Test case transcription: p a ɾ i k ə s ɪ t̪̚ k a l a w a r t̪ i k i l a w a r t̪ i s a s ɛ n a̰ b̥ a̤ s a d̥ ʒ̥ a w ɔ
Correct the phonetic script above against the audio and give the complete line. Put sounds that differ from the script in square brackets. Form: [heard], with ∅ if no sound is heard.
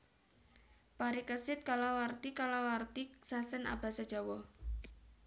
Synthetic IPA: p a ɾ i k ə s ɪ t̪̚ k a l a w a r t̪ i k [a] l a w a r t̪ i s a s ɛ n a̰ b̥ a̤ s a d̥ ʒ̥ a w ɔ